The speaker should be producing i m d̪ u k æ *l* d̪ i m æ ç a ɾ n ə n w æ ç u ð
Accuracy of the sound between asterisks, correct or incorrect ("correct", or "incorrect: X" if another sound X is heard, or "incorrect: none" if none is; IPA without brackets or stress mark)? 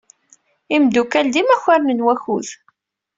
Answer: correct